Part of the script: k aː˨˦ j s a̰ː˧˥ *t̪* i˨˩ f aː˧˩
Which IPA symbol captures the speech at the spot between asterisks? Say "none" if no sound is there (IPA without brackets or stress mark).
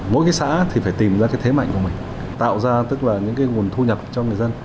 t̪ʰ